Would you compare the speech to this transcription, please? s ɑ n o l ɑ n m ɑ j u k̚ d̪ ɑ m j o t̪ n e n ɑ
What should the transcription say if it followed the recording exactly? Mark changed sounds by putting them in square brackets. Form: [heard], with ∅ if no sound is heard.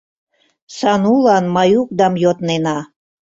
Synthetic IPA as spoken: s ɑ n [u] l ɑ n m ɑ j u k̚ d̪ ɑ m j o t̪ n e n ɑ